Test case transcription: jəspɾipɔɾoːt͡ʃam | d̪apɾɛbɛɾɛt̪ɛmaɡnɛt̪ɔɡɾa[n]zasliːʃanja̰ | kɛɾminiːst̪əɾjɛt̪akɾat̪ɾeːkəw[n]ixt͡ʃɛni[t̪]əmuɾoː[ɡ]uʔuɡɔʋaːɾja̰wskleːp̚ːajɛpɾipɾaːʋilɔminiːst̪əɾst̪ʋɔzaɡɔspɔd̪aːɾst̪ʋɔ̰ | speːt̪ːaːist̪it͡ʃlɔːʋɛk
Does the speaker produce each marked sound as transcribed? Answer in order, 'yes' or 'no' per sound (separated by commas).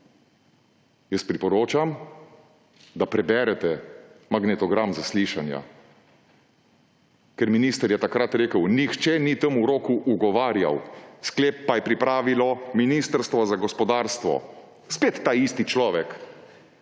no, yes, yes, no